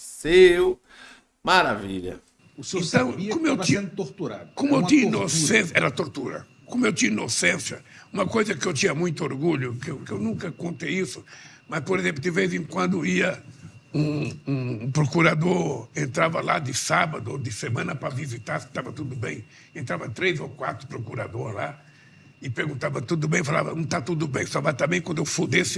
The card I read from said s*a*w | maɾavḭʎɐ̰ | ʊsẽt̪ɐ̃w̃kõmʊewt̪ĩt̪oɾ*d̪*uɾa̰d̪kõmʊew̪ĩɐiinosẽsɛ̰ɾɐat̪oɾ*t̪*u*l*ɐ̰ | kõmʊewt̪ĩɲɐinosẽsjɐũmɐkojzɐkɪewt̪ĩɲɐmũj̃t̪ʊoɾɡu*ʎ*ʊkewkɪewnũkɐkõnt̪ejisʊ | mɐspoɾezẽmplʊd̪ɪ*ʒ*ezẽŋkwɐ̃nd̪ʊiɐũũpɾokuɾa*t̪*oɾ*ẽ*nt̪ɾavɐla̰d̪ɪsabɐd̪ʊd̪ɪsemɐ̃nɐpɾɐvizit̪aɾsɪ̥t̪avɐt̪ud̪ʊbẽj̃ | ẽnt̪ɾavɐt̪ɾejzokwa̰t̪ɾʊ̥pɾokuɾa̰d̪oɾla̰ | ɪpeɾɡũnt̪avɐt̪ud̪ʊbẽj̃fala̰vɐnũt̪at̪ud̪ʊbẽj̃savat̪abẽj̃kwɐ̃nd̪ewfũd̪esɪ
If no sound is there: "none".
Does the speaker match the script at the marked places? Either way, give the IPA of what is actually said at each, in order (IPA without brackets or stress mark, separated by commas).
e, t̪, t̪, ɾ, ʎ, v, d̪, ẽ